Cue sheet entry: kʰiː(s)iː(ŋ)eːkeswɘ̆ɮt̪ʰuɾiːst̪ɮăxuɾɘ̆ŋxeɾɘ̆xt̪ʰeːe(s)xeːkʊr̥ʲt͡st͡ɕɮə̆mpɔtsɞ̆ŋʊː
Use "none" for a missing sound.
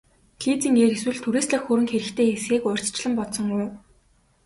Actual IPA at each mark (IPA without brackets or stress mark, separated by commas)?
t͡s, ŋ, s